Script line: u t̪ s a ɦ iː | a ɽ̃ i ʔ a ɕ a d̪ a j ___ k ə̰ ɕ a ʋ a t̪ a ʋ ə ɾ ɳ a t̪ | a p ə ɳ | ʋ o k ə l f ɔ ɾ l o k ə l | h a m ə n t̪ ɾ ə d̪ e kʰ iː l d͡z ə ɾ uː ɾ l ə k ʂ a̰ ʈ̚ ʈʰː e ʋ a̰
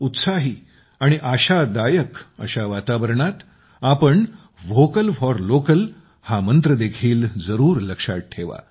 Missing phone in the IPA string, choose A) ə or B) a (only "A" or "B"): A